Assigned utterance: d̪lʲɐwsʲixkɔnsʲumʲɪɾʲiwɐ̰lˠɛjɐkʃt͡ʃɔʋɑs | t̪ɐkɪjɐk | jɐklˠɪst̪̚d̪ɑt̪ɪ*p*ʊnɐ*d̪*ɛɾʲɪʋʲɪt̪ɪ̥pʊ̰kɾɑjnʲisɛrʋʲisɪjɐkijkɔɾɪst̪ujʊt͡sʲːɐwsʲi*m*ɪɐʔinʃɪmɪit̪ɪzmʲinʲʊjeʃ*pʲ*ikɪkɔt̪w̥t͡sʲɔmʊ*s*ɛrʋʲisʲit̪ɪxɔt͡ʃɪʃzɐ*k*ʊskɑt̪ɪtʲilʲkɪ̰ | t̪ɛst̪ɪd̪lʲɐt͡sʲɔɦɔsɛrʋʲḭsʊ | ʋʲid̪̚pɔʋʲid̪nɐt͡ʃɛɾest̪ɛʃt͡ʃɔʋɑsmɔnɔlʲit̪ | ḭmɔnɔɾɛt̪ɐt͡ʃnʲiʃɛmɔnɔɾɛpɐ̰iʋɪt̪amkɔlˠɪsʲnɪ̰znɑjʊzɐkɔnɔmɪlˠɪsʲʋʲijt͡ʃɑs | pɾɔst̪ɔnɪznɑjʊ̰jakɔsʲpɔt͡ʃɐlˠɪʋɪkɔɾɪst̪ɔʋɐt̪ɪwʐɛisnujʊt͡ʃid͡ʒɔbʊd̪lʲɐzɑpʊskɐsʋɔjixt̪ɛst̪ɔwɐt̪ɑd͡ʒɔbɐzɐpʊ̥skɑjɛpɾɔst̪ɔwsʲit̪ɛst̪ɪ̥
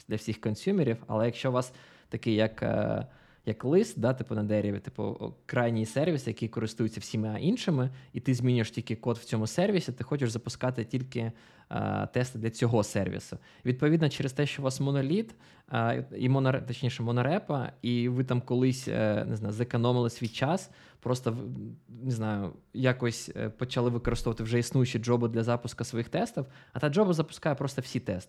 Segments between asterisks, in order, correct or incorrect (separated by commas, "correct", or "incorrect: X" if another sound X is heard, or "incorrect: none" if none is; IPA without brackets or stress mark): correct, correct, correct, incorrect: tʲ, correct, incorrect: p